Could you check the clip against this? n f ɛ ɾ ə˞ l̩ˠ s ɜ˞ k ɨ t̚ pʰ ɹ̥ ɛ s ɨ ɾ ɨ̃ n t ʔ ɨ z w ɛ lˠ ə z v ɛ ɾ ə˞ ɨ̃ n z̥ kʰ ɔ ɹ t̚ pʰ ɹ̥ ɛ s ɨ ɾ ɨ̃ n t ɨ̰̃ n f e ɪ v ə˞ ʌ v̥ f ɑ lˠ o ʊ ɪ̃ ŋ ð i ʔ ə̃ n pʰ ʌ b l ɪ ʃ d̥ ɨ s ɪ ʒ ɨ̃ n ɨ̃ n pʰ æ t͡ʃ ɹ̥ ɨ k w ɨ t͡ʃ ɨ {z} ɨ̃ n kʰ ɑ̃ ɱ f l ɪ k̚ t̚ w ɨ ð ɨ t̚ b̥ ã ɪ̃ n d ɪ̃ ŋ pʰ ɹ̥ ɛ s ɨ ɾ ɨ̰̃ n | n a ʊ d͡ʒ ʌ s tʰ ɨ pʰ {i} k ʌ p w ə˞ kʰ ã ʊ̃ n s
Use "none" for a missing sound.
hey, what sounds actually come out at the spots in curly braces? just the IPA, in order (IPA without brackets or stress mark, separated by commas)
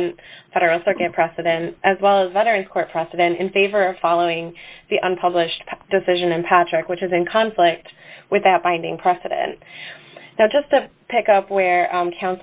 z, ɪ